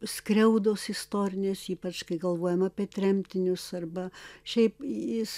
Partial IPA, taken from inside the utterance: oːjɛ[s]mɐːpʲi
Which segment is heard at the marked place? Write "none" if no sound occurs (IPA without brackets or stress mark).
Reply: none